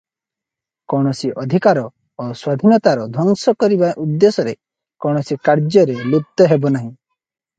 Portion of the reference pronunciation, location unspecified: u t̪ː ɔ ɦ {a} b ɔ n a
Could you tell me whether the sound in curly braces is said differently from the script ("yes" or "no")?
yes